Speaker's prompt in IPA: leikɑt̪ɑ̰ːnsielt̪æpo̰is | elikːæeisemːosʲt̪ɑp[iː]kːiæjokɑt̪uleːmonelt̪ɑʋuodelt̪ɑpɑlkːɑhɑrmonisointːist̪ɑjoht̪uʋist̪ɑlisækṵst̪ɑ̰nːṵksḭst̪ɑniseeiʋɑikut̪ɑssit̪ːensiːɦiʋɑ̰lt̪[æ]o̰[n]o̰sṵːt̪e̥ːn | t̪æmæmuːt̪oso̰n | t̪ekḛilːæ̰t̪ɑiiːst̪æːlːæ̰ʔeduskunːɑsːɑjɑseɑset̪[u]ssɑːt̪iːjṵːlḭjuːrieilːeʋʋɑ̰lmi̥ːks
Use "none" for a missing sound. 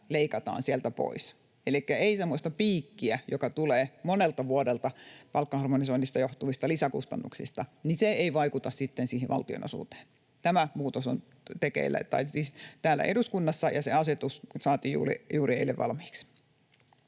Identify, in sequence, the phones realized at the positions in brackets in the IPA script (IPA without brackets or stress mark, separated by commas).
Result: iː, i, n, u